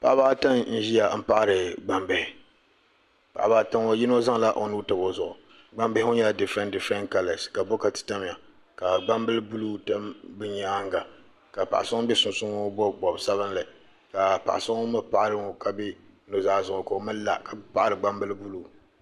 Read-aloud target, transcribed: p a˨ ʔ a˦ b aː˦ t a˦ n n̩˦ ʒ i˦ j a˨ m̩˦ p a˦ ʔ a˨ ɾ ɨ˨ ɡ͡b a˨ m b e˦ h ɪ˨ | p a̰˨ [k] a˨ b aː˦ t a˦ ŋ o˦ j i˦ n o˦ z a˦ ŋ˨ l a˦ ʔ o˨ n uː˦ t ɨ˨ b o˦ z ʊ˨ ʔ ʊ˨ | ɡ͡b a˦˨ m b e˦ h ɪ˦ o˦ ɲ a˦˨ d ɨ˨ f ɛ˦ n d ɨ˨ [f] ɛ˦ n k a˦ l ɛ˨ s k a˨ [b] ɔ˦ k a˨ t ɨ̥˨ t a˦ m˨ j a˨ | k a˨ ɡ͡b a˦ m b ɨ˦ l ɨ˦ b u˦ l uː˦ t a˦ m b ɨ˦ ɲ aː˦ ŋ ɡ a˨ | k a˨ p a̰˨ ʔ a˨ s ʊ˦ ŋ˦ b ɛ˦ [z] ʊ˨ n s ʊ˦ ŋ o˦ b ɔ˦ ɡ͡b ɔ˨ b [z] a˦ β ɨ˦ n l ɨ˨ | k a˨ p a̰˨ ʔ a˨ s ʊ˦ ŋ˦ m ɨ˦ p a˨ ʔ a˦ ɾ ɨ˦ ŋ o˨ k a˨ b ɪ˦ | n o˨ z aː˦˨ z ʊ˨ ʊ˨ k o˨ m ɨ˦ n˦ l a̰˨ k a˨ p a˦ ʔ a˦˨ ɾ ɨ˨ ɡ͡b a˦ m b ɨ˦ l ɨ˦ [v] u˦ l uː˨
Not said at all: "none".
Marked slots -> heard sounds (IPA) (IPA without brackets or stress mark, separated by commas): ʔ, f, b, s, s, b